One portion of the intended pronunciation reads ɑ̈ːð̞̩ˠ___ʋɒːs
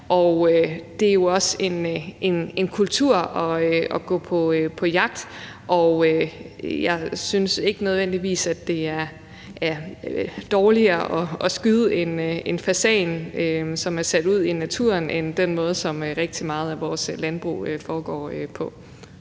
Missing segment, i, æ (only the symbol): æ